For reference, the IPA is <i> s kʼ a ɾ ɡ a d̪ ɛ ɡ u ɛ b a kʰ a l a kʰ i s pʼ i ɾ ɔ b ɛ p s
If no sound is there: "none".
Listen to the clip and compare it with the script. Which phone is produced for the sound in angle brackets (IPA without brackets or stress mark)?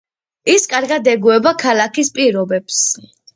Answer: i